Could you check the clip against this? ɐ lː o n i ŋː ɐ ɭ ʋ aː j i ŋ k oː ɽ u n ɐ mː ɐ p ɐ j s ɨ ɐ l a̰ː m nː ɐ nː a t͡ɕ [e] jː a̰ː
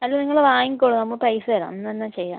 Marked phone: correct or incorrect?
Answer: correct